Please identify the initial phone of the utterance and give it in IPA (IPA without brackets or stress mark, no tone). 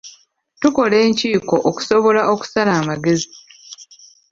t